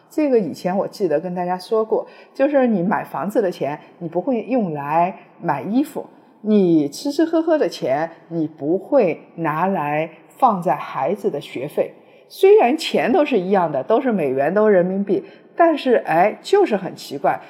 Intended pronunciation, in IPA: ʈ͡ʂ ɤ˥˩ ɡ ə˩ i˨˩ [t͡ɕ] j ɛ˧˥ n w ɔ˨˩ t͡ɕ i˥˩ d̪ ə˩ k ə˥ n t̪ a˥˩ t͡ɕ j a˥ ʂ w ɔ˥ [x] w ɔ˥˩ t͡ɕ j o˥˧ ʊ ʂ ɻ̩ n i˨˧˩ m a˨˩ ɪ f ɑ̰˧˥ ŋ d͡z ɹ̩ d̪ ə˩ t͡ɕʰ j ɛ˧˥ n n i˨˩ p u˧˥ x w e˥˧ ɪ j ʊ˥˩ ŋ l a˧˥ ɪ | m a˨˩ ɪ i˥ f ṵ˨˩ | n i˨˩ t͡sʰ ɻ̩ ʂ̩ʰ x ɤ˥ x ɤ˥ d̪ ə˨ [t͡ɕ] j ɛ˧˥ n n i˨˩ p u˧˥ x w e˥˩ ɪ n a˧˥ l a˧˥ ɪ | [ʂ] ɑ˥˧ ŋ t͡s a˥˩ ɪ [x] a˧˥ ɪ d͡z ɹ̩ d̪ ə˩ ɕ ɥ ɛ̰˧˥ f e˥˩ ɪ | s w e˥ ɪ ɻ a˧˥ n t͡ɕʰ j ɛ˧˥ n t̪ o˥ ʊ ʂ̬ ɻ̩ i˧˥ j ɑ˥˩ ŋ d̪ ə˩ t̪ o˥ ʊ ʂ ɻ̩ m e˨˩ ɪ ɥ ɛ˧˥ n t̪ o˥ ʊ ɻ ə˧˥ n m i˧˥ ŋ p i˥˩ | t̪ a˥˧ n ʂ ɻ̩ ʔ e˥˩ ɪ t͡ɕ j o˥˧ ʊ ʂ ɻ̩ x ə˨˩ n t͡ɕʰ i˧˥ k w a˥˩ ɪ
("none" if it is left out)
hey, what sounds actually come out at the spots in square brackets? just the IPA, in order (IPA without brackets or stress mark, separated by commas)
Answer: t͡ɕʰ, k, t͡ɕʰ, f, x